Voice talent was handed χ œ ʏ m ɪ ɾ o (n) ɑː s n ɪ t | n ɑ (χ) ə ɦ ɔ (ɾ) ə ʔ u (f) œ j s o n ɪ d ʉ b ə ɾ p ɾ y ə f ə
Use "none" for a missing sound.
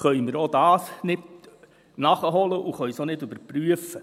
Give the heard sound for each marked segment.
d, χ, l, χ

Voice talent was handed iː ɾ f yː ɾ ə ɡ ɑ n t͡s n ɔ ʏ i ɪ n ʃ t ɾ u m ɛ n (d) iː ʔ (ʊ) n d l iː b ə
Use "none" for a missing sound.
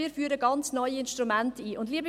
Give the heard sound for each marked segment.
t, ʊ

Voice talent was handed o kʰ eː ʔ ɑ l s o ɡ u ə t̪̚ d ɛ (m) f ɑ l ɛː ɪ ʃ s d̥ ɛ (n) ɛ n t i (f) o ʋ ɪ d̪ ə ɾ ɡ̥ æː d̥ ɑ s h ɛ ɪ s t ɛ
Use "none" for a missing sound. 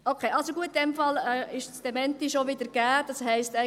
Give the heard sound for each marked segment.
m, m, ʃ

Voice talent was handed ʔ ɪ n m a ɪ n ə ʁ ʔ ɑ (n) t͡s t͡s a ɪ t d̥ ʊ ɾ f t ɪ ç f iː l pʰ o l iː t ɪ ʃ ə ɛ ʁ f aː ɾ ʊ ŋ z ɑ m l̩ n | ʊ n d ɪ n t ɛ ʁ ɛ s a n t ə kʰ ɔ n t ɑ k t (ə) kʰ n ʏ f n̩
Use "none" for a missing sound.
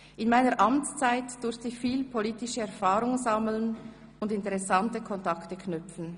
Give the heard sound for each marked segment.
m, ə

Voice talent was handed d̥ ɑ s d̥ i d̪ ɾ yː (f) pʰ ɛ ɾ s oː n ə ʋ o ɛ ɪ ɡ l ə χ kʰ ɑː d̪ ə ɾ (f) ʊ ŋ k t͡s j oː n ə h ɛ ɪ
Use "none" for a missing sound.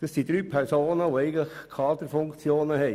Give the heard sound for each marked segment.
none, f

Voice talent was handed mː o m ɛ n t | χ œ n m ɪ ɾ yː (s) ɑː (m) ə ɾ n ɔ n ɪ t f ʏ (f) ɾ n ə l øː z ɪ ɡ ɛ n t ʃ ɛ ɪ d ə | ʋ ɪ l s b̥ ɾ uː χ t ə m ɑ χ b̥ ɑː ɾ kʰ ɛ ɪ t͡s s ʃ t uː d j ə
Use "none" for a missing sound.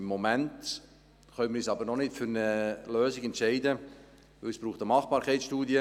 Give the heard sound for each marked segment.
s, b, none

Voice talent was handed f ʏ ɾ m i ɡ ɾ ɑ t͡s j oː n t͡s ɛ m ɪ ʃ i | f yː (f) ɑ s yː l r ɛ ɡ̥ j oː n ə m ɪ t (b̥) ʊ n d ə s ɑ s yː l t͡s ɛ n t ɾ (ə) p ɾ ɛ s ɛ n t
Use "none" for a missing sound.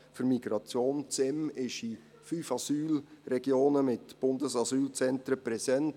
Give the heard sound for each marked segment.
f, b̥, ə

